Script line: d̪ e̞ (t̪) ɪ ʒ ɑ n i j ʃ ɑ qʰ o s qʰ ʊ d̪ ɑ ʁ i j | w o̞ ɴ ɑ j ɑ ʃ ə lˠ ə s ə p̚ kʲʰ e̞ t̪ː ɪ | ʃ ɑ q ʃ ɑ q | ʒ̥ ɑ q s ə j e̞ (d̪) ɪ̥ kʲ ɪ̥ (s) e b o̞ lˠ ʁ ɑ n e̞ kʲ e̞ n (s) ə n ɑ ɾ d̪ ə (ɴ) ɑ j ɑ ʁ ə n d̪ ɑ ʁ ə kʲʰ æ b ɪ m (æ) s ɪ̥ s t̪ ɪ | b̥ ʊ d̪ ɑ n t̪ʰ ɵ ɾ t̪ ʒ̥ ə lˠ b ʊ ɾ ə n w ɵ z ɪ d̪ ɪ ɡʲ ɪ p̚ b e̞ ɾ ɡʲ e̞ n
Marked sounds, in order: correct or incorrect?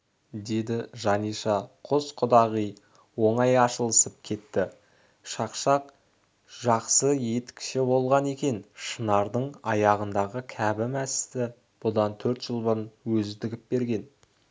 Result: incorrect, incorrect, incorrect, incorrect, correct, correct

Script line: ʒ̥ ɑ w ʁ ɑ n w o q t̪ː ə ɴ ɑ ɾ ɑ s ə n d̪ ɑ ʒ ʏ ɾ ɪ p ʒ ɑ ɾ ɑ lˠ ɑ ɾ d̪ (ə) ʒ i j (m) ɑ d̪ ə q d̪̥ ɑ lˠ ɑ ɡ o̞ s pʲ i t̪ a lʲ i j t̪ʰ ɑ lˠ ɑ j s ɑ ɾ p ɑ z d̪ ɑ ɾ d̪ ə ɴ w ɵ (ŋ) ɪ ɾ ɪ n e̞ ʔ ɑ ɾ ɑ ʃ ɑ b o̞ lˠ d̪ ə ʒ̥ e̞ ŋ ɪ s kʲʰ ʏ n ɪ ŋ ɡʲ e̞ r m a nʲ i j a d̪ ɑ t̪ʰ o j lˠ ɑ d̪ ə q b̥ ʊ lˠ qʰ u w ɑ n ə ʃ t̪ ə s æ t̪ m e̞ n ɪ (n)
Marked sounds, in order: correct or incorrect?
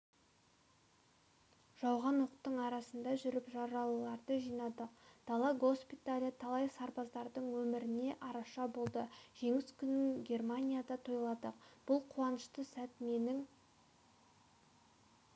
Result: correct, incorrect, incorrect, incorrect

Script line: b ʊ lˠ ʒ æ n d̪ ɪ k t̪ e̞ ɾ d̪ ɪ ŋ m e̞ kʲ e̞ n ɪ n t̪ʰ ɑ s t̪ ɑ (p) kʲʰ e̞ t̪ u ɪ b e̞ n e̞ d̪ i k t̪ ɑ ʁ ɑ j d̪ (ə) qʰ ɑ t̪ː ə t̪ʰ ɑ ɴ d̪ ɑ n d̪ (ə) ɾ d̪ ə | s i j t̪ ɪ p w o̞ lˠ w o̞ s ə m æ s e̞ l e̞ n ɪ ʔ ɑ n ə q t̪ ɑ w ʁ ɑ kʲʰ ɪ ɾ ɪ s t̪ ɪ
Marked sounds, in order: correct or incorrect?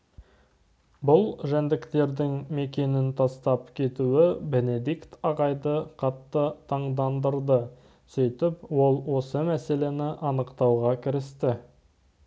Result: correct, correct, correct

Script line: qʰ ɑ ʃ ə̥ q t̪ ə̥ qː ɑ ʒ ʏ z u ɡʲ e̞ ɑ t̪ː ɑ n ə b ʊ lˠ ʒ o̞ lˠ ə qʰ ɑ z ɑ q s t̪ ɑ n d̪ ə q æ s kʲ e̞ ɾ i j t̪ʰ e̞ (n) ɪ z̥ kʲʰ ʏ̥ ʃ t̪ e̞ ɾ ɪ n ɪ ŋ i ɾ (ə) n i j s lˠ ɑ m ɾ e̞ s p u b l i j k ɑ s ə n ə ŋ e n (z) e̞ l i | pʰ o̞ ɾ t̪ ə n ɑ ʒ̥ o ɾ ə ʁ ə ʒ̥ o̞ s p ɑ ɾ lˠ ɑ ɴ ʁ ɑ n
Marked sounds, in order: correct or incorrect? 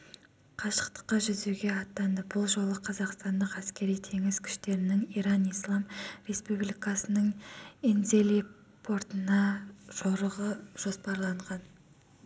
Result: incorrect, incorrect, correct

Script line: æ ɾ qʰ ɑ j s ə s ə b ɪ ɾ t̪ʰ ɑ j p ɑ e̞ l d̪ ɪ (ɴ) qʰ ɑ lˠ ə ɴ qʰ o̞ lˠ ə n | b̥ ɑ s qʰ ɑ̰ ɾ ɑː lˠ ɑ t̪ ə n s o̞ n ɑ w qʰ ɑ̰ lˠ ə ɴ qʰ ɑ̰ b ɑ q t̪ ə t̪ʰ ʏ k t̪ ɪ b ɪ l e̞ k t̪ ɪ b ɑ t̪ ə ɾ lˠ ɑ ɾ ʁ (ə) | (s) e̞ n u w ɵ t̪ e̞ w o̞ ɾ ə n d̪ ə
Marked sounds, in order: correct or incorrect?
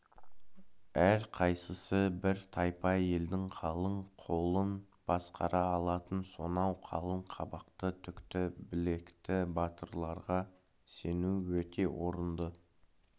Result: incorrect, incorrect, correct

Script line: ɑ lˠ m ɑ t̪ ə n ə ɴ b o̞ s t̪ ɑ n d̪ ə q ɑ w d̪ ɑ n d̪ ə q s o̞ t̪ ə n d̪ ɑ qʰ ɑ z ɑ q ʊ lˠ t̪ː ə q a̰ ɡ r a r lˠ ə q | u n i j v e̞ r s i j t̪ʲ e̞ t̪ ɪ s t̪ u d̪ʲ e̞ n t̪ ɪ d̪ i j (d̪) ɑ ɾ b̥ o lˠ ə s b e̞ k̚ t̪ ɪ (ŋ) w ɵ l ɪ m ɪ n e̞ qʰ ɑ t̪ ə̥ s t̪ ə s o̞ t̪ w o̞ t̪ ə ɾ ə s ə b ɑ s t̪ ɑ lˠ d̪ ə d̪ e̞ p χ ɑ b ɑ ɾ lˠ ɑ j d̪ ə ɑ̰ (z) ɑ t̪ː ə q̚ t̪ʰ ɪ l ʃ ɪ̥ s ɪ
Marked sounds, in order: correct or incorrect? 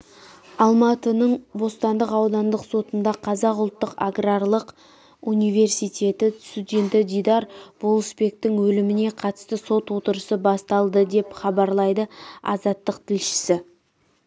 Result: correct, correct, correct

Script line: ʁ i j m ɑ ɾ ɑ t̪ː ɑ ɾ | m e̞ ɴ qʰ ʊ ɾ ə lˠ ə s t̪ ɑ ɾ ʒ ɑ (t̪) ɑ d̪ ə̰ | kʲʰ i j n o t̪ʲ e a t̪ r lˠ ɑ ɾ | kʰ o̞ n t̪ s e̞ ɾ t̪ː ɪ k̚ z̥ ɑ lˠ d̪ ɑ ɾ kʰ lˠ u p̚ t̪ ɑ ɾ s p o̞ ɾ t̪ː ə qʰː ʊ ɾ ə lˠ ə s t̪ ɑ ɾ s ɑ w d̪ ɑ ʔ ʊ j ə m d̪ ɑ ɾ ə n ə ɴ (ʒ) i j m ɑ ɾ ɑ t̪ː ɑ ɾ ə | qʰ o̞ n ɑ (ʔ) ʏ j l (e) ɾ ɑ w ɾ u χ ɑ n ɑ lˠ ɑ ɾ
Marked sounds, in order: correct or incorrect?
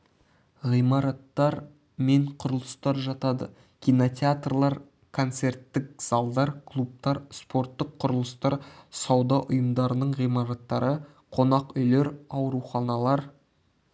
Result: correct, incorrect, incorrect, correct

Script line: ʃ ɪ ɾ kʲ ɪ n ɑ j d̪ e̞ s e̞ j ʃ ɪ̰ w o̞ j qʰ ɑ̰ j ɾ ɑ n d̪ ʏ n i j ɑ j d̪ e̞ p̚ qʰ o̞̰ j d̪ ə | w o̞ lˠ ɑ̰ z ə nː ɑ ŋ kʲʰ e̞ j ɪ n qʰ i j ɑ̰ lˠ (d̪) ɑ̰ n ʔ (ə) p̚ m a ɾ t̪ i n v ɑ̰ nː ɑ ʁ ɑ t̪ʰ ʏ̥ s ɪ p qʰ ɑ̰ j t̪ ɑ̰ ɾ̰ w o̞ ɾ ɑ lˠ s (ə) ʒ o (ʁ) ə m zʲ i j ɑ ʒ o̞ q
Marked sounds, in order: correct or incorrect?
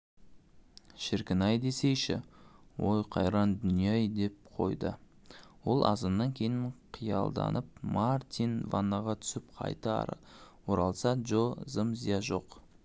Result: correct, correct, incorrect, incorrect

